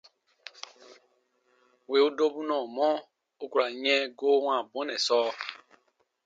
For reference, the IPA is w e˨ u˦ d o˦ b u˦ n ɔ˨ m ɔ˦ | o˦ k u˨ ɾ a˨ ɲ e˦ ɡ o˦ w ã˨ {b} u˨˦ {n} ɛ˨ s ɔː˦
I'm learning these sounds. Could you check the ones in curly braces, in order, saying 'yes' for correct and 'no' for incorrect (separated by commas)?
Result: yes, yes